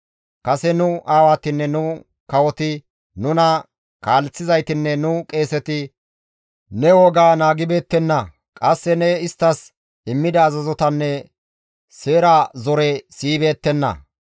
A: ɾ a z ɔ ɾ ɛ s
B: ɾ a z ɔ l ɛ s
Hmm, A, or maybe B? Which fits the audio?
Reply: A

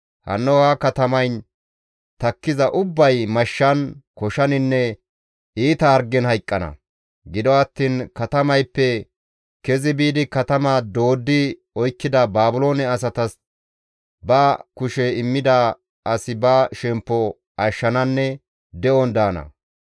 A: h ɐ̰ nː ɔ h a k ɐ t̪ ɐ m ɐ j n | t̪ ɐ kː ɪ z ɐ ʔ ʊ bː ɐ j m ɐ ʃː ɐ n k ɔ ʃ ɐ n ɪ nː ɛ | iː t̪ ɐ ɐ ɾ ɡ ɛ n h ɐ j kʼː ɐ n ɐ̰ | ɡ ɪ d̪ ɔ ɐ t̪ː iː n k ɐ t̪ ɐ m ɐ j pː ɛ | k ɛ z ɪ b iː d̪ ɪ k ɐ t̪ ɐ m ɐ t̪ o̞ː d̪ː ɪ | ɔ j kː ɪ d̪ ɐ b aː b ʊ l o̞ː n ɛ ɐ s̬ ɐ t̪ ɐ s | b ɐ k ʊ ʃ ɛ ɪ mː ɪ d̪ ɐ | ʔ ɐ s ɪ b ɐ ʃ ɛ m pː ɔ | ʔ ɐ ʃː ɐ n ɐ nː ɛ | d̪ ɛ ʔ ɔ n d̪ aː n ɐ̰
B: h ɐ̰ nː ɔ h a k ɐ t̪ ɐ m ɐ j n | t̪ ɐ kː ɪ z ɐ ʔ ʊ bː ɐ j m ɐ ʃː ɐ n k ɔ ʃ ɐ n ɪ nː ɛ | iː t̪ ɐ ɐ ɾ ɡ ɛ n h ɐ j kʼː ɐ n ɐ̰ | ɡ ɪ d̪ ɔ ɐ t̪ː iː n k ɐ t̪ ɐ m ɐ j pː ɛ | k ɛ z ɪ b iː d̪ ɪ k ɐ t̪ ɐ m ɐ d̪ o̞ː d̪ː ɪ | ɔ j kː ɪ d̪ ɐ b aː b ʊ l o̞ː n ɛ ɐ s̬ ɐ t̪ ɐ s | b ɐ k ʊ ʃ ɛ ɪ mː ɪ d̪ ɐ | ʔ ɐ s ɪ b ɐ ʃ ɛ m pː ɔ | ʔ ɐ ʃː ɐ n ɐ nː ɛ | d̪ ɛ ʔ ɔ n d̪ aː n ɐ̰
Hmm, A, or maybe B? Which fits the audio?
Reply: B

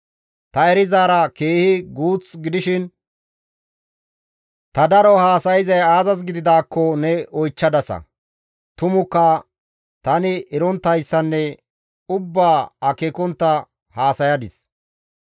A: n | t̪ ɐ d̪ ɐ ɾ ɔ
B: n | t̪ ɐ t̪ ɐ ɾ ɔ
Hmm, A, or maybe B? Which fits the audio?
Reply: A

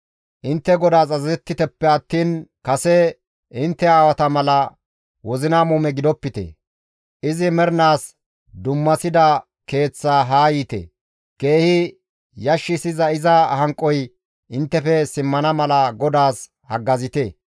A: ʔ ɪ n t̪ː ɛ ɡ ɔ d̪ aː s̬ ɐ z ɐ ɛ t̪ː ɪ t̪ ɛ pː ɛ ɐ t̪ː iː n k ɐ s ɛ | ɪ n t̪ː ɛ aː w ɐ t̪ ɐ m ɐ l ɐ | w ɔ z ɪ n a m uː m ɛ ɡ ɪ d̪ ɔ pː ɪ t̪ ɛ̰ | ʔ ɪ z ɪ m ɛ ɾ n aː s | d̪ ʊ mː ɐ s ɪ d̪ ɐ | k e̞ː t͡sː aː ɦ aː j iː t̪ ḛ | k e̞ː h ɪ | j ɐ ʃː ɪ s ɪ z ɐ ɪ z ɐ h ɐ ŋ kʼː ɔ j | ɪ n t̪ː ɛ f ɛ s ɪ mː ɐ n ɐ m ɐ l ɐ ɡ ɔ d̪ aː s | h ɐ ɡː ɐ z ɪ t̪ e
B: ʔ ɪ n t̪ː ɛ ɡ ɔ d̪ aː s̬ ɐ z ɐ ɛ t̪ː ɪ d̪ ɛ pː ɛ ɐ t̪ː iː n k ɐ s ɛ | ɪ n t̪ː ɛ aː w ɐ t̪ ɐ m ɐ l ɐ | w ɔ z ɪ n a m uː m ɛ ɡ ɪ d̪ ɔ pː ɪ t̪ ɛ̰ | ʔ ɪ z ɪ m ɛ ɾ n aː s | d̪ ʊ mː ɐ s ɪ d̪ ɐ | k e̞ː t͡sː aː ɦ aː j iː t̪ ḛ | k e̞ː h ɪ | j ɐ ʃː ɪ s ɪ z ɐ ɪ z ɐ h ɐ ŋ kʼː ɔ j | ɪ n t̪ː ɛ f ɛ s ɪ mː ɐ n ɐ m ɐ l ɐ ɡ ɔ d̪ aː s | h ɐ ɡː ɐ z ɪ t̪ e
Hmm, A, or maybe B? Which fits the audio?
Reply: A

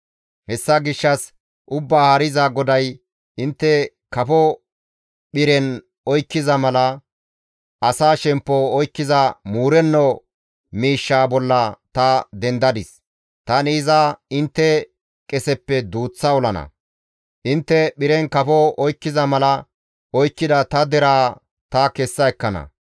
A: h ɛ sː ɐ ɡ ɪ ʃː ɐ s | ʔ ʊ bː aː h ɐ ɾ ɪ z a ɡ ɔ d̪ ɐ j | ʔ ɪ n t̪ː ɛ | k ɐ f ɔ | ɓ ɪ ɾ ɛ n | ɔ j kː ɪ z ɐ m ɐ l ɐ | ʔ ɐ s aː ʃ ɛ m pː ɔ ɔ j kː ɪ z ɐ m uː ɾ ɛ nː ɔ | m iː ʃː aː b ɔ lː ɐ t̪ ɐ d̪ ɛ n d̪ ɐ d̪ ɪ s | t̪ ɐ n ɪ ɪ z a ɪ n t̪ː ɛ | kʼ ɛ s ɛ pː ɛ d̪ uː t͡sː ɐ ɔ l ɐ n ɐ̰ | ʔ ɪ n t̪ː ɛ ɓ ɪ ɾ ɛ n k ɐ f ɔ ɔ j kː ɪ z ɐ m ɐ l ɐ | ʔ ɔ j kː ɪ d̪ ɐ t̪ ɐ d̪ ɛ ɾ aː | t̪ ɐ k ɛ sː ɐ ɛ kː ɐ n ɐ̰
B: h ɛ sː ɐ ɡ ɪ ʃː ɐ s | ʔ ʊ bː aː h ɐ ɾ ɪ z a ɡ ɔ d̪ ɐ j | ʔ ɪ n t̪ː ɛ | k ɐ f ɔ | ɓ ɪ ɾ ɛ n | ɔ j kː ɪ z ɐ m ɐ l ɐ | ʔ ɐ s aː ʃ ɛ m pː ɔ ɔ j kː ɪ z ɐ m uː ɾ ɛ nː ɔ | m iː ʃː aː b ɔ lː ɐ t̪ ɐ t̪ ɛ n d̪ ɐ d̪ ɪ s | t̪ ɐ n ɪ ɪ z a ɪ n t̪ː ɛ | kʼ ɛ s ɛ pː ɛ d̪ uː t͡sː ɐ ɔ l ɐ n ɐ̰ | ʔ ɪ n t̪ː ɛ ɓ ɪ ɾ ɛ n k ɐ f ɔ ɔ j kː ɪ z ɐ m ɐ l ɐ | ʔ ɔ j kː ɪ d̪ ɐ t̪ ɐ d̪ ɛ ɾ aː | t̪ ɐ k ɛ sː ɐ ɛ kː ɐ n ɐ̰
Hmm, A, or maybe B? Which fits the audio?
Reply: A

